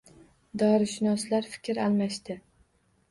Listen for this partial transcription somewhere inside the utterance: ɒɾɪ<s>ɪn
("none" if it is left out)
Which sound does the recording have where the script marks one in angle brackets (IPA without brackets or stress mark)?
ʃ